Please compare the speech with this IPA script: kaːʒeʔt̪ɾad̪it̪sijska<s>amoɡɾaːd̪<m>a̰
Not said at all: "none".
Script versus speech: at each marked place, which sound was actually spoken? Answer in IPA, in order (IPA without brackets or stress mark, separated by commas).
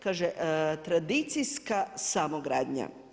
s, ɲ